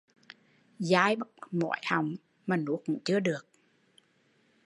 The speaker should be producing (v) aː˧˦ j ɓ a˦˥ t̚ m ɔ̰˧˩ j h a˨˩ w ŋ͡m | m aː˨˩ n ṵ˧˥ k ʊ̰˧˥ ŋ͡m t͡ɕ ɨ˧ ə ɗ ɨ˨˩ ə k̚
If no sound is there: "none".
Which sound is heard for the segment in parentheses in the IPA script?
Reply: z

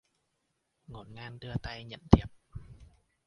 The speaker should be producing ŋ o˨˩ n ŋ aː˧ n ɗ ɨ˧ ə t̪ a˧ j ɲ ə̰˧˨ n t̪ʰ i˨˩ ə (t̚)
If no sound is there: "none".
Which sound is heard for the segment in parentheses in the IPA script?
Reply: p̚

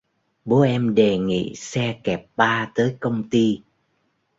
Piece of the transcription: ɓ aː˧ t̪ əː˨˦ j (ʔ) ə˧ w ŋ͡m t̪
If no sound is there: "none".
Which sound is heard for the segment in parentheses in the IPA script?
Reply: k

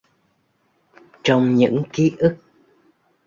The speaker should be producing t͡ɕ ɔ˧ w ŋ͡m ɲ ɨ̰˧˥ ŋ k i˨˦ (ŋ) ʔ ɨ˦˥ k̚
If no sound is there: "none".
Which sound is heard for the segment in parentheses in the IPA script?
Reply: none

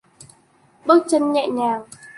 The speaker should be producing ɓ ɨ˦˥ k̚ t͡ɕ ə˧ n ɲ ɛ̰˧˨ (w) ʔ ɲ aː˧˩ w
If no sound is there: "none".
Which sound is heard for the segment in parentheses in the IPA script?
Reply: none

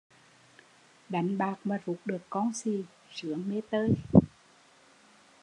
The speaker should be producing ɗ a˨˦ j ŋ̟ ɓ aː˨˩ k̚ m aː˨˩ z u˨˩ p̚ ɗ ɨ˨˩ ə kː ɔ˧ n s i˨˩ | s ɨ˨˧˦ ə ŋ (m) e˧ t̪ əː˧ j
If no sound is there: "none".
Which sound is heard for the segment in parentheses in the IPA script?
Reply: m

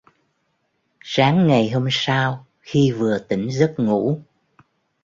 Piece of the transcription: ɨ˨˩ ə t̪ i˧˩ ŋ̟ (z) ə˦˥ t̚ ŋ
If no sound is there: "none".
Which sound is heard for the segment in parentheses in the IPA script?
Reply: z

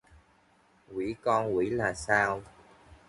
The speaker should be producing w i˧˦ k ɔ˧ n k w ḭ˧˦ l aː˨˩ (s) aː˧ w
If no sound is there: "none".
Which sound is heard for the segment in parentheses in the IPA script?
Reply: s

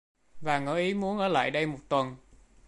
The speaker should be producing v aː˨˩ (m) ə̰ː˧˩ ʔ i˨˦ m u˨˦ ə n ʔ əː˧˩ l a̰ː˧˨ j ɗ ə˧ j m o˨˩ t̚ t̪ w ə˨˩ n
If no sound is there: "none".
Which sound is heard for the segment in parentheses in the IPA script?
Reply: ŋ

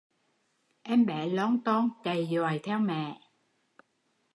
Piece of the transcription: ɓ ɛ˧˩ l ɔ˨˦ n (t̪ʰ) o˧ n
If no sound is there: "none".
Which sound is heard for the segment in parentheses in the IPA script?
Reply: t̪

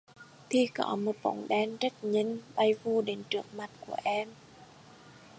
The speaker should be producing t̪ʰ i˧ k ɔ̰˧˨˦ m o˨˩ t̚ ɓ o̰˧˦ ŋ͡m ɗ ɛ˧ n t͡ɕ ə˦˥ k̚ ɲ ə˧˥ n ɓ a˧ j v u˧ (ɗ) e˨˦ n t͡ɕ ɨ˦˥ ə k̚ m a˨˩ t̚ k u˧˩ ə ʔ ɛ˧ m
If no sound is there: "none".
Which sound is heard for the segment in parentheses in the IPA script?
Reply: ɗ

